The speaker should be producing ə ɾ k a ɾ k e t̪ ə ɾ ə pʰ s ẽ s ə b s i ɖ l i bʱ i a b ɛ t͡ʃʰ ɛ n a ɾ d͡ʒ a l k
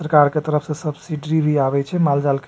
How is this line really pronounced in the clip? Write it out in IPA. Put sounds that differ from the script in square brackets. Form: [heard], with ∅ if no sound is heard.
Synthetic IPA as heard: ə ɾ k a ɾ k e t̪ ə ɾ ə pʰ s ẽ s ə b s i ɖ [ɾ] i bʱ i a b ɛ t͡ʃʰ ɛ [m] a [l] d͡ʒ a l k